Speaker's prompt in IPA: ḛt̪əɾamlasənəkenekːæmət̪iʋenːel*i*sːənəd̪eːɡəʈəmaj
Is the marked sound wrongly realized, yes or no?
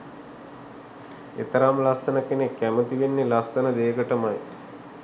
yes